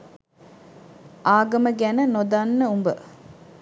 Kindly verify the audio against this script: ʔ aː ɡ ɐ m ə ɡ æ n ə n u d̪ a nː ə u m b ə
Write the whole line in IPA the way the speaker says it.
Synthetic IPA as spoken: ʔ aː ɡ ɐ m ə ɡ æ n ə n o d̪ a nː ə u m b ə